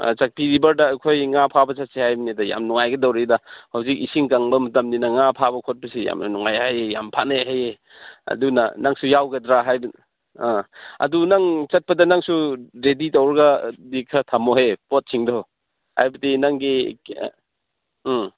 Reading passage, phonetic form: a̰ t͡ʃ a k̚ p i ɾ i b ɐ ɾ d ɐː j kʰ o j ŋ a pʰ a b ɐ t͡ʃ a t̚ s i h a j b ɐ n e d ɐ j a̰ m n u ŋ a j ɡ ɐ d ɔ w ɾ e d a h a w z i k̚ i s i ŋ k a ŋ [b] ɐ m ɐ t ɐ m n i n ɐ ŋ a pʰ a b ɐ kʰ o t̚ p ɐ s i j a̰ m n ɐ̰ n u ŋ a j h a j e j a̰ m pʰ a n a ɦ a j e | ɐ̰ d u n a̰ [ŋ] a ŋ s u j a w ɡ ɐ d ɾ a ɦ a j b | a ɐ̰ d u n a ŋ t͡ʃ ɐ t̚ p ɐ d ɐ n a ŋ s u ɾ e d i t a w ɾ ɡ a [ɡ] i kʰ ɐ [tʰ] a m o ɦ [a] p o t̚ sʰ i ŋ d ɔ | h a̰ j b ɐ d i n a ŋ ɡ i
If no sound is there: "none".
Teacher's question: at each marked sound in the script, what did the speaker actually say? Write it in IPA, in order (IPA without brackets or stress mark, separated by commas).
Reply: b, n, d, tʰ, e